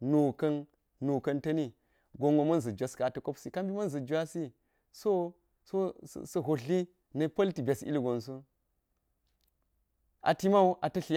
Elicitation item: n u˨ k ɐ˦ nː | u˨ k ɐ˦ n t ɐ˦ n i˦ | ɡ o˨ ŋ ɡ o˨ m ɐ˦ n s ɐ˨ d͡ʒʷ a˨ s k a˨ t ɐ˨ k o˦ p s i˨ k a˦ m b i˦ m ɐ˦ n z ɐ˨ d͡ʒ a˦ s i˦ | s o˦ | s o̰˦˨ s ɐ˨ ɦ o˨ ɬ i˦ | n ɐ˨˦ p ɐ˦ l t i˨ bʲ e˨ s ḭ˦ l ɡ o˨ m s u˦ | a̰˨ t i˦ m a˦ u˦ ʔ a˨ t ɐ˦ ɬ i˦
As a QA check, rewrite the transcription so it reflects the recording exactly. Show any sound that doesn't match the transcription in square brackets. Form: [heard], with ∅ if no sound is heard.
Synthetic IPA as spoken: n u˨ k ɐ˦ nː | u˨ k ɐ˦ n t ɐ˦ n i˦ | ɡ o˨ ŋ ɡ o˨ m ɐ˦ n [z] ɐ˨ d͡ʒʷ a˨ s k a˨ t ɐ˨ k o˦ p s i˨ k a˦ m b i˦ m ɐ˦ n z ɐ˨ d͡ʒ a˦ s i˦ | s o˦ | s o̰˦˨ s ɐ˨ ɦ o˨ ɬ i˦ | n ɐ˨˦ p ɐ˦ l t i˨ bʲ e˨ s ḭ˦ l ɡ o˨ [n] s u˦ | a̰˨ t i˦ m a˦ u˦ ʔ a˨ t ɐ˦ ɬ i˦